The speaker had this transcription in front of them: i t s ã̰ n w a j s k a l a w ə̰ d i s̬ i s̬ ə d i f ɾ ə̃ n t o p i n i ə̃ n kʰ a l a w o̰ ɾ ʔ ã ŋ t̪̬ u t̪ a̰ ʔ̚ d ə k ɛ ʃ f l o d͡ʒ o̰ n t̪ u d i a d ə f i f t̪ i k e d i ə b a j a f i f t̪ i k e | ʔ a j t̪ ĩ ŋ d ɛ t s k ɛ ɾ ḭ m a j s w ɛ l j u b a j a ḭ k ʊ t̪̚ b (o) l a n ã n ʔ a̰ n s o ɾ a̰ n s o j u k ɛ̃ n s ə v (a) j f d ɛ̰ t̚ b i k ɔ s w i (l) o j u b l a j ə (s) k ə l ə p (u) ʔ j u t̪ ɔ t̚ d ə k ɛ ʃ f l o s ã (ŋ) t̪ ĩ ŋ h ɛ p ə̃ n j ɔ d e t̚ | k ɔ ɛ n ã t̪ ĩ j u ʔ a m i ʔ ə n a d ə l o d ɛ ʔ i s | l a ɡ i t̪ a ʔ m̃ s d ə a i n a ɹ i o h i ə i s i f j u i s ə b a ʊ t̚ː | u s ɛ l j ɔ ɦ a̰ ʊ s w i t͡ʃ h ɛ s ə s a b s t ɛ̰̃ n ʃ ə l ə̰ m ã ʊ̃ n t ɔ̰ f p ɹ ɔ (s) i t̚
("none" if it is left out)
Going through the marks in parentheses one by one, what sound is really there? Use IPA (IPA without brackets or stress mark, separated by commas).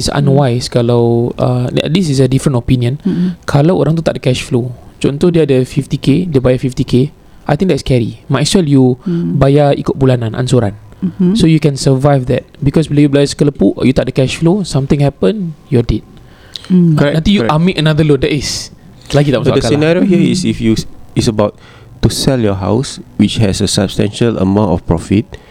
u, a, l, s, u, m, f